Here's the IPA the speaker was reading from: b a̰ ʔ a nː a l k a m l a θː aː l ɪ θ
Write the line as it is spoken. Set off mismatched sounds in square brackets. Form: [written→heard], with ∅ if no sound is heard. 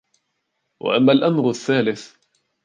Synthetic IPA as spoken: [b→w] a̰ ʔ a [nː→mː] a l [k→ʔ] a m [l→ɾ] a θː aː l ɪ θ